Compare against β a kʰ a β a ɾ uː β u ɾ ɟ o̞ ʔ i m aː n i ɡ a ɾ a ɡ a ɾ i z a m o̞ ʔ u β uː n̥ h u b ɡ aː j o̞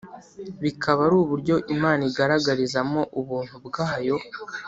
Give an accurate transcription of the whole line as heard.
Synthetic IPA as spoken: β i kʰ a β a ɾ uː β u ɾ ɟ o̞ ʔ i m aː n i ɡ a ɾ a ɡ a ɾ i z a m o̞ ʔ u β uː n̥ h u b ɡ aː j o̞